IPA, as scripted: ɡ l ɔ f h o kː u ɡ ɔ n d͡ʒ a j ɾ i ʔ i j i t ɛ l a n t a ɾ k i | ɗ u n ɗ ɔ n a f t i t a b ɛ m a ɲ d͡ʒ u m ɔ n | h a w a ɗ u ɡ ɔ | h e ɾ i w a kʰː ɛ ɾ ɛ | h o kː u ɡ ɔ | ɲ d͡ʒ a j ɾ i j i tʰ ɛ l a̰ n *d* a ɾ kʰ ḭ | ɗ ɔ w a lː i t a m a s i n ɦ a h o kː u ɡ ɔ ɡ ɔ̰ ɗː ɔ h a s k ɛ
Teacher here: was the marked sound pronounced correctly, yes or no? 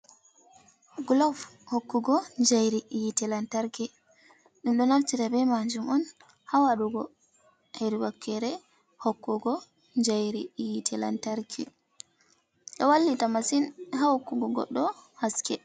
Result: no